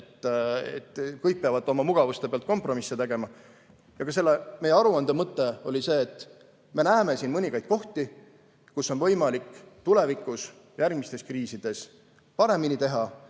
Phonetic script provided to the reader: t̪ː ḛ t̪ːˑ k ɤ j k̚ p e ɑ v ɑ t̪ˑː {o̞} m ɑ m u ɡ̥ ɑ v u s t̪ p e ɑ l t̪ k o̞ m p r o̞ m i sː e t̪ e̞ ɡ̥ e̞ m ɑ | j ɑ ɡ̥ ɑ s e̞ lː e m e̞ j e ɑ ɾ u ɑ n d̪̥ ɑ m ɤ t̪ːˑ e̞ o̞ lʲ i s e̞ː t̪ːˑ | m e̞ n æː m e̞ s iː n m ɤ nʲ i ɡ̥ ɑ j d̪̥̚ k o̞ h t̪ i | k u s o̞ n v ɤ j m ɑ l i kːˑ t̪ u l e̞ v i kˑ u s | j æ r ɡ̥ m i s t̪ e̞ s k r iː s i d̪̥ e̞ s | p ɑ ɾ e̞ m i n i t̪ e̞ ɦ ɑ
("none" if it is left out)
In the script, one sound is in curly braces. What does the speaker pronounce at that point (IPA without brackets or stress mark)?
o̞